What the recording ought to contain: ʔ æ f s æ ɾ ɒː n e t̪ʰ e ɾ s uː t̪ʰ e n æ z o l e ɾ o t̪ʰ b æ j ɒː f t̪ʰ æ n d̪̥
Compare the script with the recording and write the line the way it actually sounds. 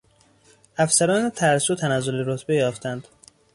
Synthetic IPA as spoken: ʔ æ f s æ ɾ ɒː n e t̪ʰ æ ɾ s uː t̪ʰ æ n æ z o l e ɾ o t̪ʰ b e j ɒː f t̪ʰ æ n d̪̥